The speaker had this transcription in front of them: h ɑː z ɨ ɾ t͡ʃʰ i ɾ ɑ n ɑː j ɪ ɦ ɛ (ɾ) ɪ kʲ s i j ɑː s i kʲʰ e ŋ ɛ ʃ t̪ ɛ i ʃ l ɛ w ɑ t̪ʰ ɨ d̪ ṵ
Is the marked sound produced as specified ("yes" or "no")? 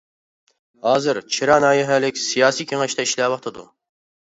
no